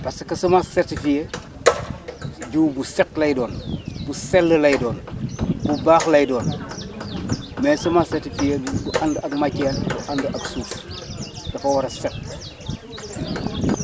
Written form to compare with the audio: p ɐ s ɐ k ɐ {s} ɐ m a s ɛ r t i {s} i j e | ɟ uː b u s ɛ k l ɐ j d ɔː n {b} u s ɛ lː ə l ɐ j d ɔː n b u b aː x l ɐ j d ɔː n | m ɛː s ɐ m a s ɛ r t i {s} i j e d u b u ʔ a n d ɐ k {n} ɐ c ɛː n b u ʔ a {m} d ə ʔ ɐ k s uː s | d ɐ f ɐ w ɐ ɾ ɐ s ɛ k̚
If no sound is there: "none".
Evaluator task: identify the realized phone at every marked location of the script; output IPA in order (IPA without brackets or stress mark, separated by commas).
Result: s, f, b, f, m, n